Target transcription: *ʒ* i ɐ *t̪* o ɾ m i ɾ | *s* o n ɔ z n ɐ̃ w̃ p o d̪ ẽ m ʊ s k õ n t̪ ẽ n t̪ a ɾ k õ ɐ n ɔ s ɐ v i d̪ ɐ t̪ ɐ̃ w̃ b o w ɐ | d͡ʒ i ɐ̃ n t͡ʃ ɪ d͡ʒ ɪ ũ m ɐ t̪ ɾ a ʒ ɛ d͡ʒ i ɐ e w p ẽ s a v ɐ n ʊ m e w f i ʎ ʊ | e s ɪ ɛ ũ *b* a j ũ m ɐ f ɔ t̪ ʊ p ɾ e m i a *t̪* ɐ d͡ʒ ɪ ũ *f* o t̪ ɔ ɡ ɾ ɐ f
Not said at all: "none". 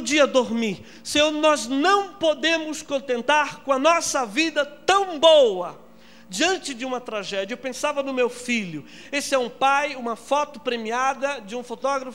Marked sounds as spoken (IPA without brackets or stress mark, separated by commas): d͡ʒ, d̪, s, p, d̪, f